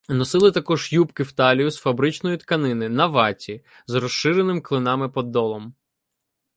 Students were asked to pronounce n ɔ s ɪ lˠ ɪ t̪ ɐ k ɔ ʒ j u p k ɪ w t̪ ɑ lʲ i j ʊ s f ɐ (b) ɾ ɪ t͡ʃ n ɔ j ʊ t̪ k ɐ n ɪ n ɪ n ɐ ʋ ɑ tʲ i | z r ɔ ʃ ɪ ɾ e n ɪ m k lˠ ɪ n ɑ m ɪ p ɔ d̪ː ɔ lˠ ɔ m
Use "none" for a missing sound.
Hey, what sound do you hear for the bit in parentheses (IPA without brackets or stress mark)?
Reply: b